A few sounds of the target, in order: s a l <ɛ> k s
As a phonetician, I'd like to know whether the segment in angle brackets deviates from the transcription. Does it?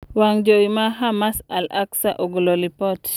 yes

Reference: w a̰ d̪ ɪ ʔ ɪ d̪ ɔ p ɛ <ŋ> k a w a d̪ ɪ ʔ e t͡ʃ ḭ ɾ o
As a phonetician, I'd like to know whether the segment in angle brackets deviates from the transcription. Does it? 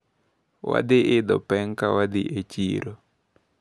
no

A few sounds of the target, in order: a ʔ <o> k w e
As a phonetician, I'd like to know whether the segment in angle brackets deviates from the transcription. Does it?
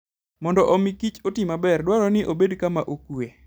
no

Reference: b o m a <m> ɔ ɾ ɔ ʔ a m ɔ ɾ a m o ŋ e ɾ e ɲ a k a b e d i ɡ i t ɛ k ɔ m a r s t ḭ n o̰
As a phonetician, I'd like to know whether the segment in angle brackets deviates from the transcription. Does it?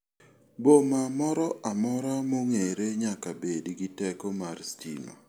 no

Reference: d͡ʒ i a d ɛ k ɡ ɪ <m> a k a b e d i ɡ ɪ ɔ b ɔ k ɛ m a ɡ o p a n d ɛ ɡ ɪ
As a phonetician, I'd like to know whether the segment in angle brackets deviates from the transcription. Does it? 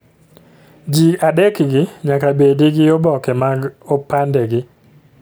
yes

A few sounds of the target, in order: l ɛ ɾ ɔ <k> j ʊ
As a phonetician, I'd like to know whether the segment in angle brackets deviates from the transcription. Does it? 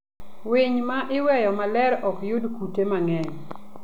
no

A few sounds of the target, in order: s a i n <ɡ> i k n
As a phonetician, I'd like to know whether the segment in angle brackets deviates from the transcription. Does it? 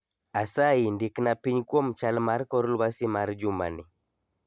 yes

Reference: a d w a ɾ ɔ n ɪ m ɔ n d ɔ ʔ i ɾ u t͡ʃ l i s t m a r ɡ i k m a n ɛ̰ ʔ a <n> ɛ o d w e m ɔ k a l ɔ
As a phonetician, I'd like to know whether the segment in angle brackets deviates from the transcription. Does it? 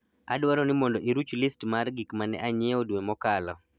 yes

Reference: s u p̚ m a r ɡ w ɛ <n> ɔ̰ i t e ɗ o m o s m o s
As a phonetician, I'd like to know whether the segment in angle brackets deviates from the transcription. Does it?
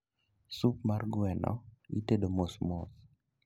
no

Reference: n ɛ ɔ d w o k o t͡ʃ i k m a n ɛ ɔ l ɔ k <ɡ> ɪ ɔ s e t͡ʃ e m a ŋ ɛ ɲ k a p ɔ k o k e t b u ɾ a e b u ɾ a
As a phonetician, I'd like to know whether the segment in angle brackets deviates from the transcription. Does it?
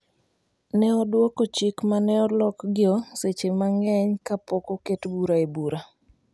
no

